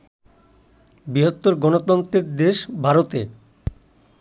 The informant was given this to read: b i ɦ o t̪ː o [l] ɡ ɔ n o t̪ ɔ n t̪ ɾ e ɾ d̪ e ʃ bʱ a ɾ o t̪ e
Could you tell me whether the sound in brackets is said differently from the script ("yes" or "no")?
yes